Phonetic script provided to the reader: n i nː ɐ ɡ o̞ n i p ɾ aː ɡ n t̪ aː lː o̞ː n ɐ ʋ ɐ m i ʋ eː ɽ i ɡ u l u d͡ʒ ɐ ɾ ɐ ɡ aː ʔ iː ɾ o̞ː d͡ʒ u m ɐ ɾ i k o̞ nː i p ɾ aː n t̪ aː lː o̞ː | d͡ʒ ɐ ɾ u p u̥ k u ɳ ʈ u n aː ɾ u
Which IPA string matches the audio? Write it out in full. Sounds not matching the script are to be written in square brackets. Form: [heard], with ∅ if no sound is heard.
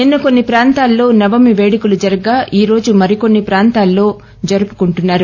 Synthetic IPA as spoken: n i nː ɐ [k] o̞ [nː] i p ɾ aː [∅] n t̪ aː lː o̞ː n ɐ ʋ ɐ m i ʋ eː ɽ i [k] u l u d͡ʒ ɐ ɾ ɐ ɡ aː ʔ iː ɾ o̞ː d͡ʒ u m ɐ ɾ i k o̞ nː i p ɾ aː n t̪ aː lː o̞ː | d͡ʒ ɐ ɾ u p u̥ k u ɳ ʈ u [nː] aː ɾ u